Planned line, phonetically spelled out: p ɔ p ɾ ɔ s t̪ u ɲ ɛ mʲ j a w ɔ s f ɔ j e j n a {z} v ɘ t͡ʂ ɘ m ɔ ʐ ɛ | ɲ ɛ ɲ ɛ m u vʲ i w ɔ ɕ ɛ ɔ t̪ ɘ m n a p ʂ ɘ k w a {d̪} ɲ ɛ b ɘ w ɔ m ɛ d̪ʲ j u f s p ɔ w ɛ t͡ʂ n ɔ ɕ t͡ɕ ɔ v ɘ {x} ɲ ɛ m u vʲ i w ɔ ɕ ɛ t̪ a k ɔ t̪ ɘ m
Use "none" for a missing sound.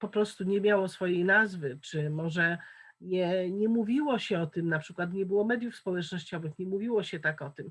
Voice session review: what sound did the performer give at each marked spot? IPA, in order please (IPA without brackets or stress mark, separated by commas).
z, t̪, x